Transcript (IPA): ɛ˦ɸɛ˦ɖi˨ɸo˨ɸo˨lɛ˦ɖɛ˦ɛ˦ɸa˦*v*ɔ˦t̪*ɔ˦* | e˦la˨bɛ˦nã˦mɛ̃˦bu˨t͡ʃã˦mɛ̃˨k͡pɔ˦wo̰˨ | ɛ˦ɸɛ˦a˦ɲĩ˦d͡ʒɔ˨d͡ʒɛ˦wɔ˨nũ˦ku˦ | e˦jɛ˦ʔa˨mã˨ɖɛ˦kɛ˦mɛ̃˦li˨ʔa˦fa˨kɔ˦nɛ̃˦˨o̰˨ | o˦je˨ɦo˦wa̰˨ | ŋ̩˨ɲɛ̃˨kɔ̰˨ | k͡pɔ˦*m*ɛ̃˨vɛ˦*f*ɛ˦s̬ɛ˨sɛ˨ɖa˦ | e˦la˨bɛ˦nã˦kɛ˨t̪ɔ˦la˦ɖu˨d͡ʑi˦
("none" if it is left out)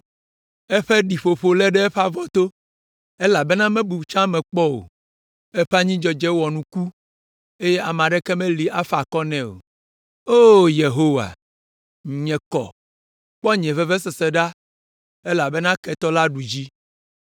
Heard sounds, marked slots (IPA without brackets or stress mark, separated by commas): v, o˦, ɲ, v